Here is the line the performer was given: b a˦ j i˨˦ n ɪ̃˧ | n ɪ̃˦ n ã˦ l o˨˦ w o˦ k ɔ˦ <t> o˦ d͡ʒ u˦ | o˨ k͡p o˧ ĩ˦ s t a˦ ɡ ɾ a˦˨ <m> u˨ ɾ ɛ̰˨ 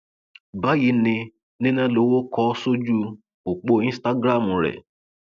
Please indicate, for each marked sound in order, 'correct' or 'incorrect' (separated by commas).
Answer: incorrect, correct